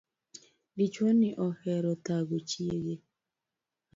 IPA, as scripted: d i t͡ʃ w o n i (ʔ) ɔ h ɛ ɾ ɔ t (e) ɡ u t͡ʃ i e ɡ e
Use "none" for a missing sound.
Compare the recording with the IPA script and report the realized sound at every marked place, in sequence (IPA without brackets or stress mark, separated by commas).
ʔ, a